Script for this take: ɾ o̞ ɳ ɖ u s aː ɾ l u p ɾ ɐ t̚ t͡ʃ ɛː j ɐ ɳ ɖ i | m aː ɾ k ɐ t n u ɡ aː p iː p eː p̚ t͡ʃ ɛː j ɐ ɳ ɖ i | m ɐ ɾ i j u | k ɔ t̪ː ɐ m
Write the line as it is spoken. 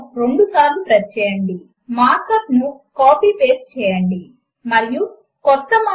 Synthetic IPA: ɾ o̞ ɳ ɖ u s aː ɾ l u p ɾ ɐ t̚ t͡ʃ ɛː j ɐ ɳ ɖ i | m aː ɾ k ɐ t n u k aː p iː p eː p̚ t͡ʃ ɛː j ɐ ɳ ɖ i | m ɐ ɾ i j u | k ɔ t̪ː ɐ m